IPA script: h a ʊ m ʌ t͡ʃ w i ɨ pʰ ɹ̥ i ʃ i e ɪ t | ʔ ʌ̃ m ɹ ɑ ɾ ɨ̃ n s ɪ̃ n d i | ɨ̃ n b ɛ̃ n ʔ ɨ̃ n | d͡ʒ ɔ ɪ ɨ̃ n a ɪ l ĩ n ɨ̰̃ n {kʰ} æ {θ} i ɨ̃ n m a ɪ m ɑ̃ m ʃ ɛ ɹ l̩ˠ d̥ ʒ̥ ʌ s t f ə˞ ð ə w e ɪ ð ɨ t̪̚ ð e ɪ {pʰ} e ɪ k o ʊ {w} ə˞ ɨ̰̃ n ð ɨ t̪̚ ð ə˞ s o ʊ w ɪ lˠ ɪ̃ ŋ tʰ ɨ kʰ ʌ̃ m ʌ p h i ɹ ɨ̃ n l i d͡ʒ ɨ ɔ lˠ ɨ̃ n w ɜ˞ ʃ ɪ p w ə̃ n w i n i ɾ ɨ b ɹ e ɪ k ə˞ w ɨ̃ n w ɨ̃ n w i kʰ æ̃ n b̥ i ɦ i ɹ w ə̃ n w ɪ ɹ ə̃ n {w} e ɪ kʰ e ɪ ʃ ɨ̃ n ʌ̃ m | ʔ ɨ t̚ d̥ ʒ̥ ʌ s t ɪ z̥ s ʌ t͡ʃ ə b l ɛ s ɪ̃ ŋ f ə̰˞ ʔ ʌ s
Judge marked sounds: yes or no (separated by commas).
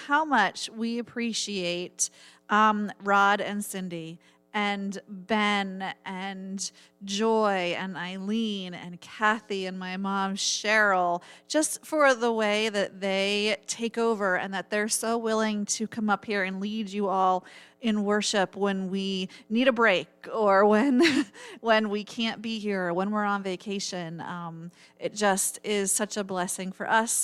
yes, yes, no, no, no